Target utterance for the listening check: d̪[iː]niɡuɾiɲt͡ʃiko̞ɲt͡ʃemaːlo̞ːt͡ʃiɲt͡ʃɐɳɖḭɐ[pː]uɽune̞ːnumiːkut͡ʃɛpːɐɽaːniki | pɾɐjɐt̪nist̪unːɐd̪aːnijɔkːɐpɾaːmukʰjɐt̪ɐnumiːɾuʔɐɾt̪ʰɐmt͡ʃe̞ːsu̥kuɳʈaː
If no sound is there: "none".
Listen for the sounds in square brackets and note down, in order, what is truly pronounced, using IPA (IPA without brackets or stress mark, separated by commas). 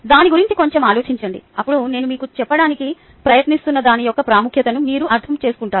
aː, pː